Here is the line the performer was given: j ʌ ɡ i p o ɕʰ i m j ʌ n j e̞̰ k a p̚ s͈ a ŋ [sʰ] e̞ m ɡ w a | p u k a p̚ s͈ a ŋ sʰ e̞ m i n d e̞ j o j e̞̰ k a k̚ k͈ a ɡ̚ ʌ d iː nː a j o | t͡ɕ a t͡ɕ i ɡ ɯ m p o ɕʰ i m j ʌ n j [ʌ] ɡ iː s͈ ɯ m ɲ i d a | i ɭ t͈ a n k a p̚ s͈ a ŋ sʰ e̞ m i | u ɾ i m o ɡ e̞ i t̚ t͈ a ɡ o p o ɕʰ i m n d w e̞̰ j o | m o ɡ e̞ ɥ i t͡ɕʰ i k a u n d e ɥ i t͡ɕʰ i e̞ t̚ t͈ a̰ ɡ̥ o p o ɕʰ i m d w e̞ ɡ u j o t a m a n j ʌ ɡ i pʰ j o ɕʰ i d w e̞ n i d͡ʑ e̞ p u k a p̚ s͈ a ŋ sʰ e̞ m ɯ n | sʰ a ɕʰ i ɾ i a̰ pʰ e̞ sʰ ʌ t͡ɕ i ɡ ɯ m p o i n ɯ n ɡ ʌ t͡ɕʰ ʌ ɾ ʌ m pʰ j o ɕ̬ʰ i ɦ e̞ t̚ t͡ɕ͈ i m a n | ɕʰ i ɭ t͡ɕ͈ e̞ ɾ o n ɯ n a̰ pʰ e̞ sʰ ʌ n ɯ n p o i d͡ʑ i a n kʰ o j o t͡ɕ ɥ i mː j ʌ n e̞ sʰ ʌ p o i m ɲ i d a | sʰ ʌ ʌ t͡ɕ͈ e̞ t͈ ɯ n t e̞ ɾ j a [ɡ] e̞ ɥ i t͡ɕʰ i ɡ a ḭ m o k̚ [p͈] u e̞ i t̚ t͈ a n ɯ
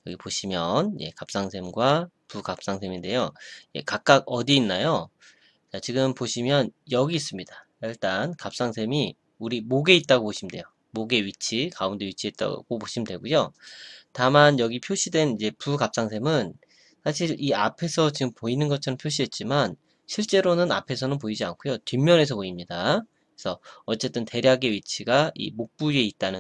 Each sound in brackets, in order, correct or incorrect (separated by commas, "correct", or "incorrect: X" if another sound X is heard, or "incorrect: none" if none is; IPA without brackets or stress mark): correct, correct, correct, correct